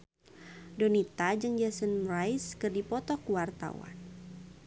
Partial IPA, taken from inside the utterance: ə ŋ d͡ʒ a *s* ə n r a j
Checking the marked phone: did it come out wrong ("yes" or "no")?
no